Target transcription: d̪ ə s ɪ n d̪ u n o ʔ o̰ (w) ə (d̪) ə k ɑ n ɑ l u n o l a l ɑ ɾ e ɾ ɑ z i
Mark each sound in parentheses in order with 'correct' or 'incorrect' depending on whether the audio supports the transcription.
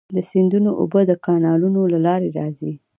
incorrect: b, correct

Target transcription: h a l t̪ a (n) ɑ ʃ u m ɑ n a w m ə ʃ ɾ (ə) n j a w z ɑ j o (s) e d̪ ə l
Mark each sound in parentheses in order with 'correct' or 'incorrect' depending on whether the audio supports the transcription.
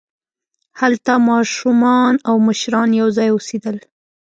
incorrect: m, incorrect: ɑ, correct

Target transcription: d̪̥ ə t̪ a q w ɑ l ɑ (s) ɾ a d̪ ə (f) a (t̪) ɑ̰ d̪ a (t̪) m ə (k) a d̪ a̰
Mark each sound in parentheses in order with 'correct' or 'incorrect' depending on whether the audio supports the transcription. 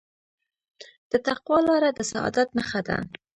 incorrect: none, incorrect: s, incorrect: none, correct, incorrect: x

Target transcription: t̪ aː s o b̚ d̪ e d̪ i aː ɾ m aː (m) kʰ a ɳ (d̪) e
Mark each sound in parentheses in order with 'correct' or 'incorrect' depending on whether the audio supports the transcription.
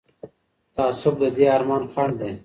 incorrect: n, correct

